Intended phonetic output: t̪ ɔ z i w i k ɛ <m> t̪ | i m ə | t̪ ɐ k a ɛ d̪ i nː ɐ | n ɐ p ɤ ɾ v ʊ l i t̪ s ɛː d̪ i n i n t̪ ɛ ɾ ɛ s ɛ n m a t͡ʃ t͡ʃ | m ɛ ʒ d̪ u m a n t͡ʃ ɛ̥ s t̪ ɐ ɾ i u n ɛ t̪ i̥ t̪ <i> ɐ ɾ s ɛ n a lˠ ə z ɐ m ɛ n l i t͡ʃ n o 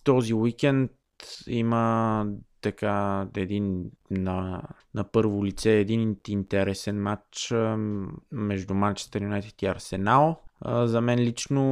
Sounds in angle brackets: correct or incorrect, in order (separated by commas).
incorrect, correct